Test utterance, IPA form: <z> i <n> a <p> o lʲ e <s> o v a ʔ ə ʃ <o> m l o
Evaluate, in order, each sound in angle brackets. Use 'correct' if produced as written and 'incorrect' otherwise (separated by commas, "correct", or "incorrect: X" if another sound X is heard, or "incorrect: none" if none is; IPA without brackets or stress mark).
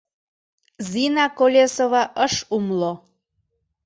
correct, correct, incorrect: k, correct, incorrect: u